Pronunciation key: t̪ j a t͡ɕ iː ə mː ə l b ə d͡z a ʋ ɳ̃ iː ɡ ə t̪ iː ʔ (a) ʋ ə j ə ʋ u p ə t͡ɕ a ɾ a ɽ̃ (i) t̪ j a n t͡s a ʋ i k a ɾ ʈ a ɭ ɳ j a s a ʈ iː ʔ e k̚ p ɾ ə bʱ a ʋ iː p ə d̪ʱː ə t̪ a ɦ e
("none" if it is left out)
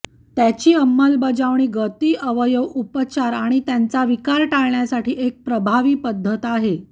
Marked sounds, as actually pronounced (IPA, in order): ə, i

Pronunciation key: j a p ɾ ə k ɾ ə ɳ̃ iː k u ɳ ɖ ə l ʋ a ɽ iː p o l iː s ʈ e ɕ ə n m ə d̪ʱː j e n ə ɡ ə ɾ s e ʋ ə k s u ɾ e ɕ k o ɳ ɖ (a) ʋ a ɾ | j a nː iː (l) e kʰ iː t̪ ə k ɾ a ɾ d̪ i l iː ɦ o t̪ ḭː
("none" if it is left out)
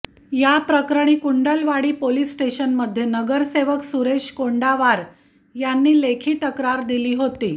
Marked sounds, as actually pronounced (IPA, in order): a, l

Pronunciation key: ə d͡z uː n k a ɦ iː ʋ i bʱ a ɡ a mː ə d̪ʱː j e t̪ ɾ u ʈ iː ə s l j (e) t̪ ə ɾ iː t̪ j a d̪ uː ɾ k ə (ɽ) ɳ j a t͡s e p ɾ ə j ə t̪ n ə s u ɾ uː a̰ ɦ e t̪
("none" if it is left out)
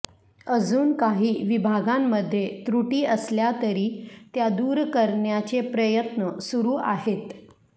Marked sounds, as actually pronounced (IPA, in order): a, ɾ

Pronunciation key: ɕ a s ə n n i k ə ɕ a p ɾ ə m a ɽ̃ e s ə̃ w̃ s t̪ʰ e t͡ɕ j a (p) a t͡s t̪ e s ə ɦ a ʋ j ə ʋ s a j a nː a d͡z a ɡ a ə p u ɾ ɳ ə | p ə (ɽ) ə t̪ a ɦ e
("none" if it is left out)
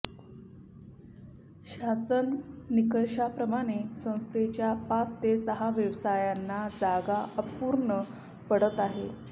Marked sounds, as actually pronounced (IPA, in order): p, ɽ

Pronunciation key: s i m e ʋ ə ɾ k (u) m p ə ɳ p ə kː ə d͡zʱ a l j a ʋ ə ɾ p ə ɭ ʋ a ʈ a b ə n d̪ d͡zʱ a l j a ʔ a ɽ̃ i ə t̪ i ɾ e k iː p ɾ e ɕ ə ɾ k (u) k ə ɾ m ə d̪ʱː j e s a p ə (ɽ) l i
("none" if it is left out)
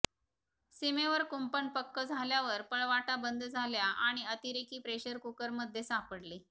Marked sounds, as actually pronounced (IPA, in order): u, u, ɽ

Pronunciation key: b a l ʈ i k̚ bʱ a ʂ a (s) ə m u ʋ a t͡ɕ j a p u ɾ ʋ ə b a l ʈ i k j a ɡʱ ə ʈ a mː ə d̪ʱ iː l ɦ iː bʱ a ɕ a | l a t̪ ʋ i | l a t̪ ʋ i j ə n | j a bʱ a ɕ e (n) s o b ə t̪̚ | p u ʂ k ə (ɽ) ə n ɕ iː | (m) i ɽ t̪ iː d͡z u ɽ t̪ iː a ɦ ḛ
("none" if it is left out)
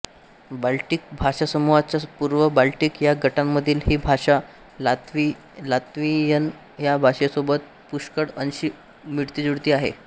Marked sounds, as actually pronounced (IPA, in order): s, none, ɽ, m

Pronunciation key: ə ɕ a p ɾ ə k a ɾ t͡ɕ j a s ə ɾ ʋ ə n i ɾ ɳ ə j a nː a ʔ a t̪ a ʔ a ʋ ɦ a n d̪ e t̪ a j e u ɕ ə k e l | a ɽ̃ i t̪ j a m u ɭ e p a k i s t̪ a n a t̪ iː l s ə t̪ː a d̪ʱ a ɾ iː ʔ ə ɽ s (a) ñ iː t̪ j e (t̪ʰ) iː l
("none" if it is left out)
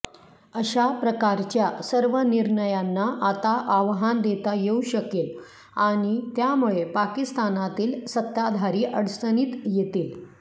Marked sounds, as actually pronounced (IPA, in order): ə, t̪

